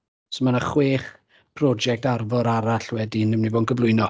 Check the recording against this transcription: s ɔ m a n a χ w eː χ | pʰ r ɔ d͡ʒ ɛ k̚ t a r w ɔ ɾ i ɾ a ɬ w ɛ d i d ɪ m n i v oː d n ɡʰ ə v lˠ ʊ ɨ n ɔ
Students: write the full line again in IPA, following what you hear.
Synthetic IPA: s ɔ m a n a χ w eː χ | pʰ r ɔ d͡ʒ ɛ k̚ t a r v ɔ ɾ a ɾ a ɬ w ɛ d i n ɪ m n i v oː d n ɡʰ ə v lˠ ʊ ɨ n ɔ